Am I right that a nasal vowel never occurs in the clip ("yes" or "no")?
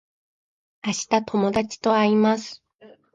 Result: yes